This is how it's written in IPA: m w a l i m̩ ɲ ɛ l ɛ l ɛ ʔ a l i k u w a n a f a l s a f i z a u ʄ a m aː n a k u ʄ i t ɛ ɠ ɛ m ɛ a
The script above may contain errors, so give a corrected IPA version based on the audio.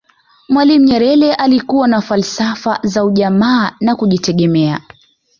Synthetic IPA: m w a l i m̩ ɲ ɛ ɾ ɛ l ɛ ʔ a l i k u w a n a f a l s a f a z a u ʄ a m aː n a k u ʄ i t ɛ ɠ ɛ m ɛ a